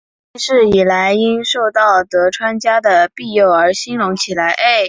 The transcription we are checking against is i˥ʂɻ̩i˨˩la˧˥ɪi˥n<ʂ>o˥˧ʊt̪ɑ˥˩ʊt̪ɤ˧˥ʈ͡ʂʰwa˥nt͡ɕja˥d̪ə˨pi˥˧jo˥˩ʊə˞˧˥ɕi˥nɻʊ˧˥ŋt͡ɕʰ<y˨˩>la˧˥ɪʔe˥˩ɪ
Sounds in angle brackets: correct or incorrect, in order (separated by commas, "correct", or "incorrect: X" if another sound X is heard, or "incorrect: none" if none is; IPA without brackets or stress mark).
correct, incorrect: i˨˩